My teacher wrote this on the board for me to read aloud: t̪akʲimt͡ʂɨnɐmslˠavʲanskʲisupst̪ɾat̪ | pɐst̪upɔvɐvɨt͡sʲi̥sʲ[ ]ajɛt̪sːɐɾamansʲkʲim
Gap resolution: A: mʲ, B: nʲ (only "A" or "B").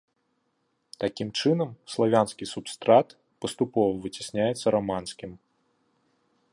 B